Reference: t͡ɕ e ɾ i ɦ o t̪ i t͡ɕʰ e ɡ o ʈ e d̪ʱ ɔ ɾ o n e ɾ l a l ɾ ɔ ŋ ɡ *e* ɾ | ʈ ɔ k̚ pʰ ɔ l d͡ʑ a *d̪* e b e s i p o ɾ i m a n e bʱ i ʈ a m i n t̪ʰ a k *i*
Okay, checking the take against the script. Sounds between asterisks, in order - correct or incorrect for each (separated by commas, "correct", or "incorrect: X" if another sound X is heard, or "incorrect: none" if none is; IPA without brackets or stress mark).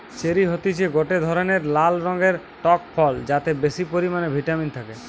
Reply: correct, incorrect: t̪, incorrect: e